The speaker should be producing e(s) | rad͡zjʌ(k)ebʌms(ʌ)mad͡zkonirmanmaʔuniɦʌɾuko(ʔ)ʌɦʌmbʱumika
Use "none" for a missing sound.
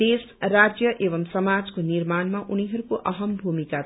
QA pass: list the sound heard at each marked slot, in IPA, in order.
s, ʔ, ʌ, ʔ

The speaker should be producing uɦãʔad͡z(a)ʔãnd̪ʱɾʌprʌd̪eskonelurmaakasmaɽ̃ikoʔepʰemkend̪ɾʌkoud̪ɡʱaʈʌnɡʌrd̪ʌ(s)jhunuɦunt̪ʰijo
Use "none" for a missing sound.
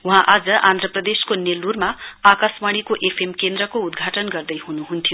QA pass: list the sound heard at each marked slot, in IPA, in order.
ʌ, none

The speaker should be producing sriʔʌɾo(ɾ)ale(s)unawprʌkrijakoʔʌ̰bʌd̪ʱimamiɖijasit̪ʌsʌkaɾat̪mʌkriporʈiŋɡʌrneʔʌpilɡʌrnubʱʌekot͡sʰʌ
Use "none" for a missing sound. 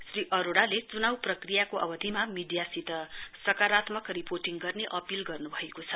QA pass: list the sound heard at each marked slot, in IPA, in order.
ɽ, t͡s

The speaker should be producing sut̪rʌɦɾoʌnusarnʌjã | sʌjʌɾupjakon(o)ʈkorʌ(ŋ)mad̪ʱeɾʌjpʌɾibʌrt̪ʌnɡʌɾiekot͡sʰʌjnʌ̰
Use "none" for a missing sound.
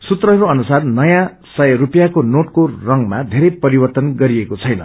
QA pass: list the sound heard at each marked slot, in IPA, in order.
o, ŋ

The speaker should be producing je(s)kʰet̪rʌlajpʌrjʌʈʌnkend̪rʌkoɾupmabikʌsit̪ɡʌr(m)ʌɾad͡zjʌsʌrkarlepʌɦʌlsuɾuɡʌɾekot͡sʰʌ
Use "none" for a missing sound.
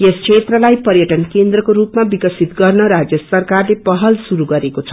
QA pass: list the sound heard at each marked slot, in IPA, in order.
s, n

